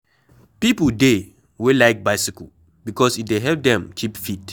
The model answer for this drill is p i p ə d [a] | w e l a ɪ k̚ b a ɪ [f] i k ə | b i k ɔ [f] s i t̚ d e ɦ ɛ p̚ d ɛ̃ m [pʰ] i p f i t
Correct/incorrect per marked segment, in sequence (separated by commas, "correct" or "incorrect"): incorrect, incorrect, incorrect, incorrect